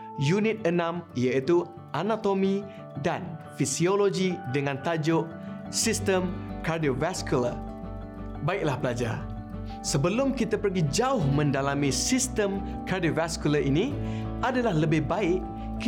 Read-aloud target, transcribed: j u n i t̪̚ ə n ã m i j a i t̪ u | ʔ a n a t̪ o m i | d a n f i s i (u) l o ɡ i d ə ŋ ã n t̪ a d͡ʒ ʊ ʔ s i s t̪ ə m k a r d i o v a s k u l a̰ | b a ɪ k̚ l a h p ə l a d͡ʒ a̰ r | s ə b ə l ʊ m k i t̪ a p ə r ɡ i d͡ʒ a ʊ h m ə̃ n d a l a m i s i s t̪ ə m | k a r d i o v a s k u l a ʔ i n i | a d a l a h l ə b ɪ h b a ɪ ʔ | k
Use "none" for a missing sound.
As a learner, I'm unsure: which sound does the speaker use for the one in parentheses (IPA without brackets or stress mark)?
o